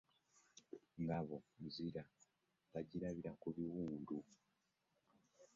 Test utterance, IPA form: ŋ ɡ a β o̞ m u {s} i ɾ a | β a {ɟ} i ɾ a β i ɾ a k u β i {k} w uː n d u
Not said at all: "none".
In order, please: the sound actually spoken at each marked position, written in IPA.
z, ɟ, none

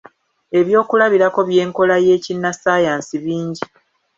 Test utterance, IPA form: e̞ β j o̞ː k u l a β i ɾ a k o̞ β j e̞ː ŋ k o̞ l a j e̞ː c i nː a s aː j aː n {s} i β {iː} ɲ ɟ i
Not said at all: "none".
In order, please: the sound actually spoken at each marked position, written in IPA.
s, iː

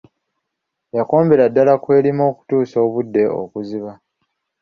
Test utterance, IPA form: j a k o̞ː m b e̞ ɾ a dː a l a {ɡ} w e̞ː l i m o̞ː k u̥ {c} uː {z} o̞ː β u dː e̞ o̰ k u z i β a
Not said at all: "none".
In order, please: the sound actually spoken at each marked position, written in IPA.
k, t, s

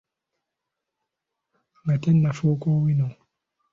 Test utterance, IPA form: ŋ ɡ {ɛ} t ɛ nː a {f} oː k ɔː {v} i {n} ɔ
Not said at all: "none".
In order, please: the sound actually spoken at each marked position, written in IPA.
a, f, w, n

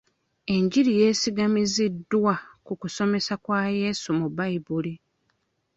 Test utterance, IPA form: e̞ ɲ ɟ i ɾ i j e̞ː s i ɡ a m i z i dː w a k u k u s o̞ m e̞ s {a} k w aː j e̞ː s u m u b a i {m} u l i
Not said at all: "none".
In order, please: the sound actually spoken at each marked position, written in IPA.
a, b

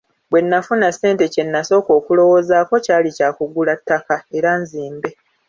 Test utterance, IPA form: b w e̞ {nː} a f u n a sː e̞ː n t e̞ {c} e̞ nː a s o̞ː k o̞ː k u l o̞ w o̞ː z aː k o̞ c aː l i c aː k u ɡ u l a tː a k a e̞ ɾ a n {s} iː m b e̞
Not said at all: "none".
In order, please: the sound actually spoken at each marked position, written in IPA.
nː, c, z

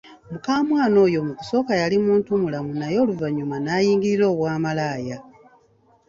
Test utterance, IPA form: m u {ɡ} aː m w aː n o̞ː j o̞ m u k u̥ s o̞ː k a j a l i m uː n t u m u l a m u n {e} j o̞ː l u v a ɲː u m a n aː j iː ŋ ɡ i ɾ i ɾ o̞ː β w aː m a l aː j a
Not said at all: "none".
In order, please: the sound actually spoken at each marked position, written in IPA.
k, a

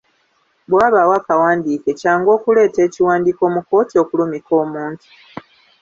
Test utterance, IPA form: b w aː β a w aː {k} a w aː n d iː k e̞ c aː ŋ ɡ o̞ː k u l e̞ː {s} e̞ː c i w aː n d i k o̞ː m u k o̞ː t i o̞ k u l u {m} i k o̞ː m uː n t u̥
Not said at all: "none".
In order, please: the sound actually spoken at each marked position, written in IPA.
k, t, m

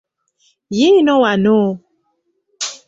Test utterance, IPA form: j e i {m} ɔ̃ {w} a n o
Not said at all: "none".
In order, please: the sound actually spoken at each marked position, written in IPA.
n, w

